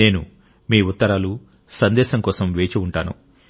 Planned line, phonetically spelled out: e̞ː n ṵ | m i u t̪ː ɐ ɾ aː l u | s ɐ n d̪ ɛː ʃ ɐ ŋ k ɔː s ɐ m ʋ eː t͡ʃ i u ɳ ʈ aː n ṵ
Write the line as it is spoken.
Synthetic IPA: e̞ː n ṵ | m iː u t̪ː ɐ ɾ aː l u | s ɐ n d̪ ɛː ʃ ɐ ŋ k ɔː s ɐ m ʋ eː t͡ʃ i u ɳ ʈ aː n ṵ